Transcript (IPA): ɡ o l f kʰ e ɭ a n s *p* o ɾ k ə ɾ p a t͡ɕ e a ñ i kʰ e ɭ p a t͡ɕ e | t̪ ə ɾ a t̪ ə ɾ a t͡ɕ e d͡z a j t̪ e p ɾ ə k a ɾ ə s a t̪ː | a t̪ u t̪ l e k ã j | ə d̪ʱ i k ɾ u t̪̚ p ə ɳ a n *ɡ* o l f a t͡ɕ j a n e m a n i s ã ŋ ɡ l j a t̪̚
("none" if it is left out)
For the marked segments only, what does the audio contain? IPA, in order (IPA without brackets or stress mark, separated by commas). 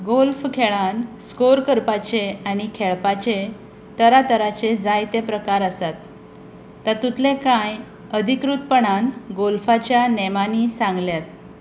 k, ɡ